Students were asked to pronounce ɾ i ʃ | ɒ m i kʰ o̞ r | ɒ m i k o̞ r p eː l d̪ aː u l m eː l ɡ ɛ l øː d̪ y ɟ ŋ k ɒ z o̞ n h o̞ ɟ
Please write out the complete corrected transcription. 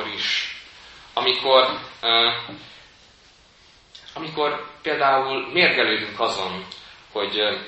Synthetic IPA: ɾ i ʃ | ɒ m i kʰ o̞ r | ɒ m i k o̞ r p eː l d̪ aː u l m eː r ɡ ɛ l øː d̪ y ŋ k ɒ z o̞ n h o̞ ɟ